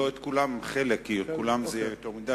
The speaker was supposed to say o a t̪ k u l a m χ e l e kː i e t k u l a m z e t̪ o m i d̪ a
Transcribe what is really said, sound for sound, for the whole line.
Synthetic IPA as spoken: o e t̪ k u l a m χ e l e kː i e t k u l a m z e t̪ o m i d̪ a